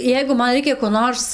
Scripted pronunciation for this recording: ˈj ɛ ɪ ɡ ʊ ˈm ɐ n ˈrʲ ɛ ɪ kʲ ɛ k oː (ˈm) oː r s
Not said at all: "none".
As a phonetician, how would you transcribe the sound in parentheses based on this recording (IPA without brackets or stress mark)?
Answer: n